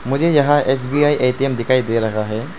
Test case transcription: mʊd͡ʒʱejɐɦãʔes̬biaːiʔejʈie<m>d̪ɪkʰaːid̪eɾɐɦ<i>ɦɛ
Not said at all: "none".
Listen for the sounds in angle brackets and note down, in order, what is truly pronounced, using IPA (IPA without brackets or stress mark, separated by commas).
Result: m, a